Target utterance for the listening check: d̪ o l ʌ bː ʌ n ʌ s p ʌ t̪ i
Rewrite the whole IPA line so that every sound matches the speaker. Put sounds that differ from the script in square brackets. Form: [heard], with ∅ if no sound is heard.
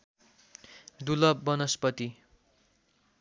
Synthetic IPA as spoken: d̪ [u] l ʌ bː ʌ n ʌ s p ʌ t̪ i